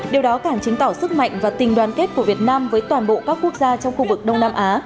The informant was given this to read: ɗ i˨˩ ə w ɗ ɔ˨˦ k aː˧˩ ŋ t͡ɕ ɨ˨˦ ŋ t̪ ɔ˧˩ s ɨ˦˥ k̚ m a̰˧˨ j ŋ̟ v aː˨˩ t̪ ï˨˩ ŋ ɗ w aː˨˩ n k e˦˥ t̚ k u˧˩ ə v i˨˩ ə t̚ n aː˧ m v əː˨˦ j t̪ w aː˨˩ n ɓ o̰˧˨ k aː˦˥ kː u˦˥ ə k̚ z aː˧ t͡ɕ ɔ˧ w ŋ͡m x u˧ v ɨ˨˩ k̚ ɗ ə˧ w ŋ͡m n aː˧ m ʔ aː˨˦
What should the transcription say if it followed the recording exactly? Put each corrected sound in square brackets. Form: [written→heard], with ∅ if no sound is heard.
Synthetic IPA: ɗ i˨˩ ə w ɗ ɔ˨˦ k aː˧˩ ŋ t͡ɕ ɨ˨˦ ŋ t̪ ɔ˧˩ s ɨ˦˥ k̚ m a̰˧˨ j ŋ̟ v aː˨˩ t̪ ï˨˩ ŋ ɗ w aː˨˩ n k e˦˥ t̚ k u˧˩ ə v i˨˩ ə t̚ n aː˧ m v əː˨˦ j t̪ w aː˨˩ n ɓ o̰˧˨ k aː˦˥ kː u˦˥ ə k̚ z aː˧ t͡ɕ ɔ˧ w ŋ͡m x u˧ v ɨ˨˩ k̚ ɗ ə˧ w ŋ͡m n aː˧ m ʔ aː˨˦

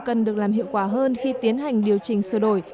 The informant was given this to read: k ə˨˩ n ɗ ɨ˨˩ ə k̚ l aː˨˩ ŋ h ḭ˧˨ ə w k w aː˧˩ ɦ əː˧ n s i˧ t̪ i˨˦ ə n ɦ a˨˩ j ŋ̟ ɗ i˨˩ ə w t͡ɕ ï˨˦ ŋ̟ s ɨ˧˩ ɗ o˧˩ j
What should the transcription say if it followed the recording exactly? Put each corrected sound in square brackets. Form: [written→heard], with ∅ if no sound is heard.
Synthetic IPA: k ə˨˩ n ɗ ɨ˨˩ ə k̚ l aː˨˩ [ŋ→m] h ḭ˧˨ ə w k w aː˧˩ ɦ əː˧ n [s→x] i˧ t̪ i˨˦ ə n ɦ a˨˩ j ŋ̟ ɗ i˨˩ ə w t͡ɕ [ï˨˦→ï˨˩] ŋ̟ s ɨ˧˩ ɗ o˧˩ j

